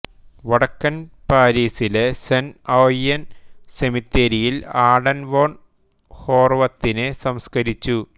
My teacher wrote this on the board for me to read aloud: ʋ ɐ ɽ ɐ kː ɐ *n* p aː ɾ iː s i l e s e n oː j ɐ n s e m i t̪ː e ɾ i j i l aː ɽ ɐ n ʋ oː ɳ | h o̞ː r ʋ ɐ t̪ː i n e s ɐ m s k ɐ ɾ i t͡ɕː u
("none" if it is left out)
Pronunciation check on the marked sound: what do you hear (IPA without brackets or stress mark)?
n